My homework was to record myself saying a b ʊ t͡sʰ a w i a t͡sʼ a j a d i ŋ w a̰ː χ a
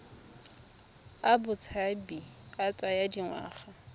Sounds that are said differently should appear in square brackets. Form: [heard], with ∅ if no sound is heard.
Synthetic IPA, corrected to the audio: a b ʊ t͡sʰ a [b] i a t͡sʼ a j a d i ŋ w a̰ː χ a